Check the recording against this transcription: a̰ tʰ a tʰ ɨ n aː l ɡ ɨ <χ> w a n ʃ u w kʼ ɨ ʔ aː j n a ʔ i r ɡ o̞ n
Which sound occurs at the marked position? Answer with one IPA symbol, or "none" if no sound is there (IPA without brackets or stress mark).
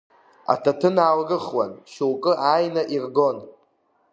χ